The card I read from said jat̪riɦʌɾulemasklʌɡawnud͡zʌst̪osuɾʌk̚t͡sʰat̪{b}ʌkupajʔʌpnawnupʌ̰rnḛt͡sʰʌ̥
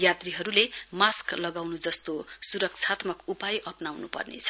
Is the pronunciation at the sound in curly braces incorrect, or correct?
incorrect: m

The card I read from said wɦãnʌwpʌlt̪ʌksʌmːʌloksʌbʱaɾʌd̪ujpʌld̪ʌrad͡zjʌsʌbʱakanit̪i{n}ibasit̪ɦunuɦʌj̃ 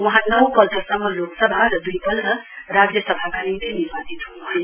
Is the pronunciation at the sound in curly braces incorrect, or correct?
correct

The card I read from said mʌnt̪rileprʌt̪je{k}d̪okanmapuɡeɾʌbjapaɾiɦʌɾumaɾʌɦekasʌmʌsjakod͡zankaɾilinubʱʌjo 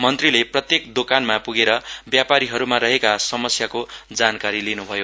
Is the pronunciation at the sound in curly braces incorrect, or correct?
correct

